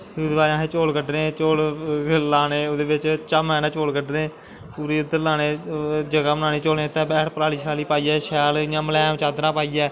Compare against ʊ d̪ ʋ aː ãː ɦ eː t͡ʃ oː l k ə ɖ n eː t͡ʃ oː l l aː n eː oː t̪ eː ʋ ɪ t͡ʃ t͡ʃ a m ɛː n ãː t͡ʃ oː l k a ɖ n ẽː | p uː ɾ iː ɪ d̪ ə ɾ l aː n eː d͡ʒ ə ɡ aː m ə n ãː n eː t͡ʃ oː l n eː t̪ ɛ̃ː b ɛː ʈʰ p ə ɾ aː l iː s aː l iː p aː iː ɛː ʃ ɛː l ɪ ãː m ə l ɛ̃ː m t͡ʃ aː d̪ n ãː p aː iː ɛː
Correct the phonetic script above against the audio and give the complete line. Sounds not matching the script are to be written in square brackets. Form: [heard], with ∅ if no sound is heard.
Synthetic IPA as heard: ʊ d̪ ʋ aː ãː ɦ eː t͡ʃ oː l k ə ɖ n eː t͡ʃ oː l l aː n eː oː [d̪] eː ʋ ɪ t͡ʃ t͡ʃ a m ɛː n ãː t͡ʃ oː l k [ə] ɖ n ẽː | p uː ɾ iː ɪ d̪ ə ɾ l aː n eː d͡ʒ ə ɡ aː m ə n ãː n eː t͡ʃ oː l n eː t̪ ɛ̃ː b ɛː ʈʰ p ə ɾ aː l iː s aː l iː p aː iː ɛː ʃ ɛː l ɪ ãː m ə l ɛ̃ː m t͡ʃ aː d̪ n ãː p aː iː ɛː

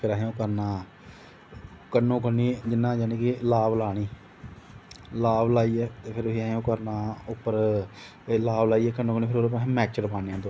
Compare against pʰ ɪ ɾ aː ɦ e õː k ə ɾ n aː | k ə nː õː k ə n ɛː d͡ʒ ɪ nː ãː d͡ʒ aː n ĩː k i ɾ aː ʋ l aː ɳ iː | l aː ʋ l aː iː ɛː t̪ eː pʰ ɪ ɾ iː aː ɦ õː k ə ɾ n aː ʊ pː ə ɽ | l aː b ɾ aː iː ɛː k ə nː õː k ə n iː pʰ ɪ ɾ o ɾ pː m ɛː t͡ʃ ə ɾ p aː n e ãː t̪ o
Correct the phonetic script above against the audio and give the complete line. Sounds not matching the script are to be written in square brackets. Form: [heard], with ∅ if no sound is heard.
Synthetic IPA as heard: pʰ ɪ ɾ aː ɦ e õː k ə ɾ n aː | k ə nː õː k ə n [iː] d͡ʒ ɪ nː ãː d͡ʒ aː n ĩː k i [l] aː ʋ l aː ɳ iː | l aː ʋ l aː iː ɛː t̪ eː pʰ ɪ ɾ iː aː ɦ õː k ə ɾ n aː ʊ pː ə [ɾ] | l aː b [l] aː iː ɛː k ə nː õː k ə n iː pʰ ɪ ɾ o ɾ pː m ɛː t͡ʃ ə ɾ p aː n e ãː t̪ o

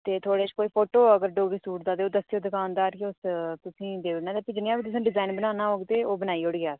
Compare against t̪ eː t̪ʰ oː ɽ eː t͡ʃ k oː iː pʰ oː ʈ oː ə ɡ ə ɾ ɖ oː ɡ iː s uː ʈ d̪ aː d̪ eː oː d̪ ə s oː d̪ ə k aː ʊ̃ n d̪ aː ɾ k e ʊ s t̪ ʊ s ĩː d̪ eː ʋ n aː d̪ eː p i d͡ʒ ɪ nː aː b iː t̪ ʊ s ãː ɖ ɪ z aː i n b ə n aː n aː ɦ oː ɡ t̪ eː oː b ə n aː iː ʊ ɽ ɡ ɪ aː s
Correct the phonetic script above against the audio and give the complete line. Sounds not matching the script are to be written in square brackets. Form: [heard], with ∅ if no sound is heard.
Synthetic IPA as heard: t̪ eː t̪ʰ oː ɽ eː t͡ʃ k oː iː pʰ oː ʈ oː ə ɡ ə ɾ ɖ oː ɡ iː s uː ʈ d̪ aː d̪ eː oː d̪ ə s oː d̪ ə k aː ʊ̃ n d̪ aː ɾ k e ʊ s t̪ ʊ s ĩː d̪ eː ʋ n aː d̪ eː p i d͡ʒ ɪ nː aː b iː t̪ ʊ s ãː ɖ ɪ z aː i n b ə n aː n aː ɦ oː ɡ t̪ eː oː b ə n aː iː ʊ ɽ ɡ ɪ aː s

